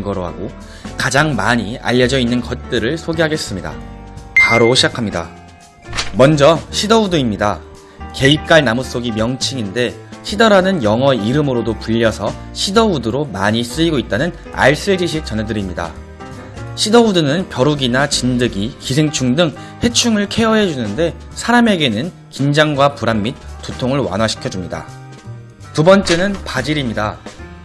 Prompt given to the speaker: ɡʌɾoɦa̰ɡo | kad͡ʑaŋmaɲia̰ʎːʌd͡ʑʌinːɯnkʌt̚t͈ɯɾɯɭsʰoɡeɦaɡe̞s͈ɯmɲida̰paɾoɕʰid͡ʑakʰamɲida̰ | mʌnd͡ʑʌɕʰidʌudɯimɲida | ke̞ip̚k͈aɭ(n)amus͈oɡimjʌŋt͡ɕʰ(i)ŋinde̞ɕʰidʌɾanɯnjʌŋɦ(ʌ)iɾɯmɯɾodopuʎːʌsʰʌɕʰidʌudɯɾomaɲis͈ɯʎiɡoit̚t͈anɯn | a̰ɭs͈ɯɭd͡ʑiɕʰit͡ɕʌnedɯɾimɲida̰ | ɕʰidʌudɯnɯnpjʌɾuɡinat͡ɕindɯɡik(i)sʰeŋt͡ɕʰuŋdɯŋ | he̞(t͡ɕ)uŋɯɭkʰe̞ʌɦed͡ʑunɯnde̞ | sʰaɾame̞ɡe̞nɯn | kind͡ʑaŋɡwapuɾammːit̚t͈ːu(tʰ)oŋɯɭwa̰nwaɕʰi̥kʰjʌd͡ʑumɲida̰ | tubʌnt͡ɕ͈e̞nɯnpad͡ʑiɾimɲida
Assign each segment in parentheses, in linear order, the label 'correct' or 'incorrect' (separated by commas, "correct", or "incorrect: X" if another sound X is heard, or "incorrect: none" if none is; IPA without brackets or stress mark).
correct, correct, correct, correct, incorrect: t͡ɕʰ, correct